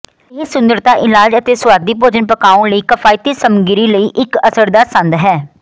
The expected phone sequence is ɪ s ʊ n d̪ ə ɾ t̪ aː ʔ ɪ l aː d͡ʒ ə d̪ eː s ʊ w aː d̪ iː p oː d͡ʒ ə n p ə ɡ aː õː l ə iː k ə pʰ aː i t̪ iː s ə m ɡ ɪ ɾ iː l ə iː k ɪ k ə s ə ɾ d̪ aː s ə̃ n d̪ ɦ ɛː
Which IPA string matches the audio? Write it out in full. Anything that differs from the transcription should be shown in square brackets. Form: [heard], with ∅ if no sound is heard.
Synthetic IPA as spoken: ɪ s ʊ n d̪ ə ɾ t̪ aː ʔ ɪ l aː d͡ʒ ə [t̪] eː s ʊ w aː d̪ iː p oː d͡ʒ ə n p ə [k] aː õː l ə iː k ə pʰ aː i t̪ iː s ə m ɡ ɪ ɾ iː l ə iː [ʔ] ɪ k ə s ə ɾ d̪ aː s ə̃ n d̪ ɦ ɛː